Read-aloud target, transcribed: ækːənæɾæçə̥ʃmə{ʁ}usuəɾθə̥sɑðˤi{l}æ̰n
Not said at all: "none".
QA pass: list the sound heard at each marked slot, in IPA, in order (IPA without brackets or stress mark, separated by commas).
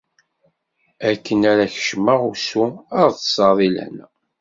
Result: ʁ, l